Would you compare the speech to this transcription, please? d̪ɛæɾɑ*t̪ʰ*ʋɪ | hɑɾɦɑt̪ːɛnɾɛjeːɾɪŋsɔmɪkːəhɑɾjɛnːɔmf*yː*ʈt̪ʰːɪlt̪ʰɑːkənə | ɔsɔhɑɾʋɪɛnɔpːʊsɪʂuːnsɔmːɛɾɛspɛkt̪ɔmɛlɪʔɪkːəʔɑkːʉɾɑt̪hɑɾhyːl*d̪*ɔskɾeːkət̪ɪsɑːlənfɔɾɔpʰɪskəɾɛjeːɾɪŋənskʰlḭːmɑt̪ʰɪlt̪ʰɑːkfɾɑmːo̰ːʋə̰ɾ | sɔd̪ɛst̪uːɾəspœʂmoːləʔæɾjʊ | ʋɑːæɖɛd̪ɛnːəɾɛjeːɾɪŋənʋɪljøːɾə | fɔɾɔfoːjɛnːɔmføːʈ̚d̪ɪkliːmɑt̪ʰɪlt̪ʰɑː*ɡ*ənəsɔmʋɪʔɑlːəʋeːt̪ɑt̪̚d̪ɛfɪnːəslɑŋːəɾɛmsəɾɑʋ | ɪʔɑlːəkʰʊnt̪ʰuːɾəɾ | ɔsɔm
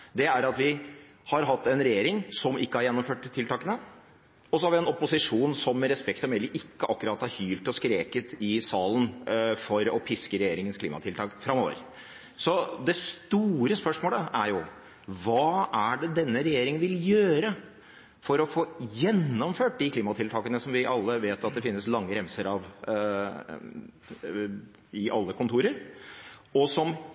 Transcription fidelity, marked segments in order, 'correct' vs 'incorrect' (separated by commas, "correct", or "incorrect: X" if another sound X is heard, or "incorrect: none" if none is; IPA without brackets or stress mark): incorrect: t̪, incorrect: øː, incorrect: t̪, incorrect: k